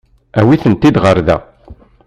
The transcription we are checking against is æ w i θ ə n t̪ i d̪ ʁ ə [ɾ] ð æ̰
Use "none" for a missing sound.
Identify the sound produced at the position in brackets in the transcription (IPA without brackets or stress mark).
ɾ